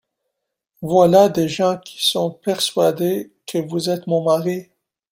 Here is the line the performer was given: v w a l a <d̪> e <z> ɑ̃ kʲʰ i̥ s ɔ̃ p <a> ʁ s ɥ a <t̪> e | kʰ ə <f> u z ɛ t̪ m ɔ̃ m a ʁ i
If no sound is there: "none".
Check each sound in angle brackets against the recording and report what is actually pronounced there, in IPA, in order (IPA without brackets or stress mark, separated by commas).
d̪, ʒ, ɛ, d̪, v